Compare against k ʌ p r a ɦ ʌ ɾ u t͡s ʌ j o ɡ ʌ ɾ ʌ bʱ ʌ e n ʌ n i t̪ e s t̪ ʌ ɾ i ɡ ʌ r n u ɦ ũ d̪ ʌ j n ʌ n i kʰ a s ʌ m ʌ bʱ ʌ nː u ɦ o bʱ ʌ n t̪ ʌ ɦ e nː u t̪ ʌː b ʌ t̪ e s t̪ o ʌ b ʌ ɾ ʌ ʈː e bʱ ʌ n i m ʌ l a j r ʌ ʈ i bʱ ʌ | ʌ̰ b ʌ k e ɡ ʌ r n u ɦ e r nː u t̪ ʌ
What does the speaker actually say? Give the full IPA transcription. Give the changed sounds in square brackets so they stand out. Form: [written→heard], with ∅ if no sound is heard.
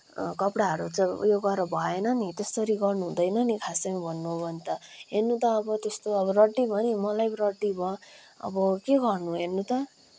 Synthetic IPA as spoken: k ʌ p [r→ɽ] a ɦ ʌ ɾ u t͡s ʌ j o ɡ ʌ ɾ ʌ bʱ ʌ e n ʌ n i t̪ e s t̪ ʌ ɾ i ɡ ʌ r n u ɦ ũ d̪ ʌ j n ʌ n i kʰ a s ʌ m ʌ bʱ ʌ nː u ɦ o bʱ ʌ n t̪ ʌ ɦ e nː u t̪ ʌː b ʌ t̪ e s t̪ o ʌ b ʌ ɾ ʌ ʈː [e→i] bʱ ʌ n i m ʌ l a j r ʌ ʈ i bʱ ʌ | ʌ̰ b ʌ k e ɡ ʌ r n u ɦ e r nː u t̪ ʌ